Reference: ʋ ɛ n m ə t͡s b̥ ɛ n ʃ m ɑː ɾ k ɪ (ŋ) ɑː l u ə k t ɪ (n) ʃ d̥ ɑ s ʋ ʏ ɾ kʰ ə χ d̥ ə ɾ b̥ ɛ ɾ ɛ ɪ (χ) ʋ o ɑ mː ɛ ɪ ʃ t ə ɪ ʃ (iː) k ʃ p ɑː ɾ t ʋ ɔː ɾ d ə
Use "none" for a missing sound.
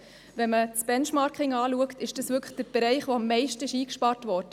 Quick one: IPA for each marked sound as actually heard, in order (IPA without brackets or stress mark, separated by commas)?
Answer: ŋ, none, χ, iː